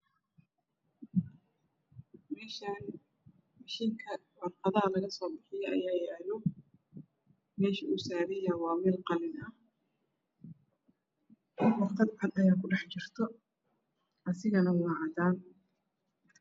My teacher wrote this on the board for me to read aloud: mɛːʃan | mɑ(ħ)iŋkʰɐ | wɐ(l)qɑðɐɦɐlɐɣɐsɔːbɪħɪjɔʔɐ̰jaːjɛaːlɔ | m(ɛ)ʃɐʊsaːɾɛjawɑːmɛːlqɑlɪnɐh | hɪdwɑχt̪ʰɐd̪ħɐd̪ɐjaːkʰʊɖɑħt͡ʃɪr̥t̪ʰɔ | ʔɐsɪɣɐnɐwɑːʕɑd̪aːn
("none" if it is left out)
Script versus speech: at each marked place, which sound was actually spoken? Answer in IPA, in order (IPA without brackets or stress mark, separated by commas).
ʃ, r, ɛː